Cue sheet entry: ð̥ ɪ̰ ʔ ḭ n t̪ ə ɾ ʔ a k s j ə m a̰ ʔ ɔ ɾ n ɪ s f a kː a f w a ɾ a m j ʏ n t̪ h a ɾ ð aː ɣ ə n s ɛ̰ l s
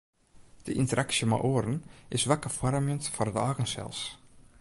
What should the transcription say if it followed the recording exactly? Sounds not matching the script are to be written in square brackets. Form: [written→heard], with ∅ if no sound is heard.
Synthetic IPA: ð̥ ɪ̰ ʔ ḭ n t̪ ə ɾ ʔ a k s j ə m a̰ ʔ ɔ ɾ n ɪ s [f→v] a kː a f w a ɾ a m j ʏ n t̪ [h→f] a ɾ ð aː ɣ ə n s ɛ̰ l s